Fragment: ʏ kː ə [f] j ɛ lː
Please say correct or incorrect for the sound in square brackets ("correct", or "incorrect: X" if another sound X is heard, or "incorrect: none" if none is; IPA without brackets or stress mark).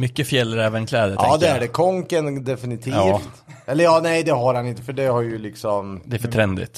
correct